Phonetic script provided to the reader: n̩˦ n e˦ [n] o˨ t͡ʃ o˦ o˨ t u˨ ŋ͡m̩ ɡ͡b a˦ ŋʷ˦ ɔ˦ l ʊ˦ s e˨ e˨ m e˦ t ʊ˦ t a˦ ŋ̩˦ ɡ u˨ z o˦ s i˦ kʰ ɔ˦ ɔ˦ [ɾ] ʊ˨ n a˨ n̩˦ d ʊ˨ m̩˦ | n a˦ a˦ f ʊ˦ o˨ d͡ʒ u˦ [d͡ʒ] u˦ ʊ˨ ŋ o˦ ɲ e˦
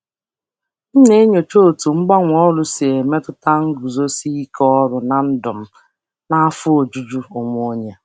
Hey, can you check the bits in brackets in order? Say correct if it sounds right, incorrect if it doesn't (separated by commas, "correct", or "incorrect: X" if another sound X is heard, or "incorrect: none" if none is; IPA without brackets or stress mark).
incorrect: ɲ, correct, correct